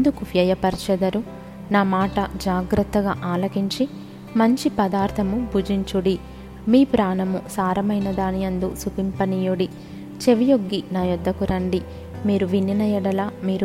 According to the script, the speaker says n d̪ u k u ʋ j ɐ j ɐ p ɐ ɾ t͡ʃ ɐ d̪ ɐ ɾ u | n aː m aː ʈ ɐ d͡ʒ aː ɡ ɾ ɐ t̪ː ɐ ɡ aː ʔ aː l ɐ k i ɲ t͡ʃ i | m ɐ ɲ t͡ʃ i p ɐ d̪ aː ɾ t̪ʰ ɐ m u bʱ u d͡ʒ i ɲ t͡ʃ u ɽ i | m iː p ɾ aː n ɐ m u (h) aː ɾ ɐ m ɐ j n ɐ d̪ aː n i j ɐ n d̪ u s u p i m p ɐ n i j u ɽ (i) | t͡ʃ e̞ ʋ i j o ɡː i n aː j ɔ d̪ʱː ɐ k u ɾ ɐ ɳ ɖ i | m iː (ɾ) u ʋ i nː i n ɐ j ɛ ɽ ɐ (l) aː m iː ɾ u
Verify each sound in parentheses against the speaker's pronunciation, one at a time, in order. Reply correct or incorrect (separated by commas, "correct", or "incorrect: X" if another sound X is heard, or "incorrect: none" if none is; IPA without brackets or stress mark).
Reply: incorrect: s, correct, correct, correct